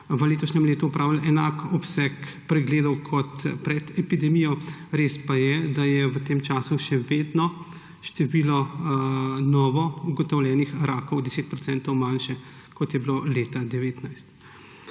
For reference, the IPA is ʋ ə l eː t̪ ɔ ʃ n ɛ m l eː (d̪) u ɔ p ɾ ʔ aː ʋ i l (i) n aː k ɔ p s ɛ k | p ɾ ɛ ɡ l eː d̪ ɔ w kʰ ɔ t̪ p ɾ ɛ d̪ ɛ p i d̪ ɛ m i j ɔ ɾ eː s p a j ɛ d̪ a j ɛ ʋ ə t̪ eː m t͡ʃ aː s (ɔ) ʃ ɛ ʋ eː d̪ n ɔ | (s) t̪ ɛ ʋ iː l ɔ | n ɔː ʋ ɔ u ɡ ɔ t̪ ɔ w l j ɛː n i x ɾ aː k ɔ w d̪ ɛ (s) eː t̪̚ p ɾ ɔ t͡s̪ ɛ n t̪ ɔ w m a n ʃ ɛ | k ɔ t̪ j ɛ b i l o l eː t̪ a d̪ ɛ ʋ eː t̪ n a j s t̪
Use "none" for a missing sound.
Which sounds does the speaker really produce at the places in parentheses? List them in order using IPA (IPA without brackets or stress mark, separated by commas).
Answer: t̪, ɛ, u, ʃ, s